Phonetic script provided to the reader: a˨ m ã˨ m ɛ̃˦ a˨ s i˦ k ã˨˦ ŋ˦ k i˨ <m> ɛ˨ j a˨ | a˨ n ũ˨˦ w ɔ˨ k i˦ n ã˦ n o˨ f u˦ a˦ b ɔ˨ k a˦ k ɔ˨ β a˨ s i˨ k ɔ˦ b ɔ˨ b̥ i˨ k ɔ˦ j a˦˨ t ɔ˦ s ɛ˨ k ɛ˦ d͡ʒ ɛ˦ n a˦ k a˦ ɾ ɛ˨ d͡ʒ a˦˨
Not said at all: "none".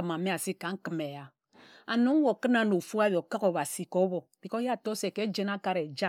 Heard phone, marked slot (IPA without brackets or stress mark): m